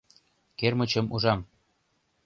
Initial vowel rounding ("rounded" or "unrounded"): unrounded